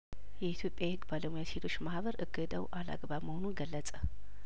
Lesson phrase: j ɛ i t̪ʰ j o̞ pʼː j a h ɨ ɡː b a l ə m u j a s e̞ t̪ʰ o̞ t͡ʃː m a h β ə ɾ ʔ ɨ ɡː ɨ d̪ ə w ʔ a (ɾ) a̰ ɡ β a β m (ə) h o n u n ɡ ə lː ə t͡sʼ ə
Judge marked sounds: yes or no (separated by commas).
no, yes